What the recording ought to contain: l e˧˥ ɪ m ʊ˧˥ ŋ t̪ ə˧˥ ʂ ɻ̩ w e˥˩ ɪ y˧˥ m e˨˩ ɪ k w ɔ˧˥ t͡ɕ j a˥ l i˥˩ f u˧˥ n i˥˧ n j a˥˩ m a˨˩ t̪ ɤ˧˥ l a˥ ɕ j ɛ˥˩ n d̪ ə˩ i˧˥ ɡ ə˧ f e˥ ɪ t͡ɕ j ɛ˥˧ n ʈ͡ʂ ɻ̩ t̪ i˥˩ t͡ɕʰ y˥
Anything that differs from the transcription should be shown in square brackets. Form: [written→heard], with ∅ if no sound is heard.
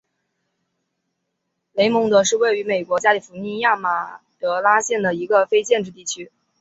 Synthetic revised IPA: l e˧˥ ɪ m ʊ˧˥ ŋ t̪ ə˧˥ ʂ ɻ̩ w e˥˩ ɪ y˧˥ m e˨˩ ɪ k w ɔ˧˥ t͡ɕ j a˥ l [i˥˩→i˨˩] f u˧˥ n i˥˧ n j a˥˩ m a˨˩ t̪ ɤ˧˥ l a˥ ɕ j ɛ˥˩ n d̪ ə˩ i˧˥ ɡ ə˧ f e˥ ɪ t͡ɕ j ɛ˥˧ n ʈ͡ʂ ɻ̩ t̪ i˥˩ t͡ɕʰ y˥